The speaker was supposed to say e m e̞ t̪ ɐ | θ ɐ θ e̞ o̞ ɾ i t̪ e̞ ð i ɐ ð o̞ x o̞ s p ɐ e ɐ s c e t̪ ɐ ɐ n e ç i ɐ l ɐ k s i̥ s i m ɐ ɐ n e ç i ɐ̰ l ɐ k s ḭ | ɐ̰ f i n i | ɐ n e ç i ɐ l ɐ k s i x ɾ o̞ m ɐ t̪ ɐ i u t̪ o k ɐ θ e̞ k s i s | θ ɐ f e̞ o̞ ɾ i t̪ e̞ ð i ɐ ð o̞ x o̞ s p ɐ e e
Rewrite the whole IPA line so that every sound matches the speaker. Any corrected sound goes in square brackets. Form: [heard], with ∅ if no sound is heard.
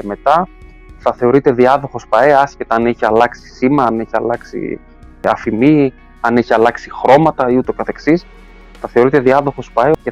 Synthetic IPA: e m e̞ t̪ ɐ | θ ɐ θ e̞ o̞ ɾ i t̪ e̞ ð i ɐ ð o̞ x o̞ s p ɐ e ɐ s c e t̪ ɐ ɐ n e ç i ɐ l ɐ k s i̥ s i m ɐ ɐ n e ç i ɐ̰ l ɐ k s ḭ | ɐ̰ f i [m] i | ɐ n e ç i ɐ l ɐ k s i x ɾ o̞ m ɐ t̪ ɐ i u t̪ o k ɐ θ e̞ k s i s | θ ɐ [θ] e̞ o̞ ɾ i t̪ e̞ ð i ɐ ð o̞ x o̞ s p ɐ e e